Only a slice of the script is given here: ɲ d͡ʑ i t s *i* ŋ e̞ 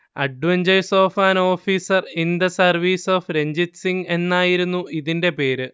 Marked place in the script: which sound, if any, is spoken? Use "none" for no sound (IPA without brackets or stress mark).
i